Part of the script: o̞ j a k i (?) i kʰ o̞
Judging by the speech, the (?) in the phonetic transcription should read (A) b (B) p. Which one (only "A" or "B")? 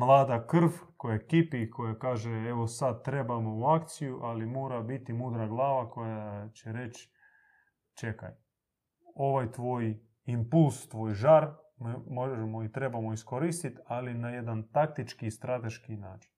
B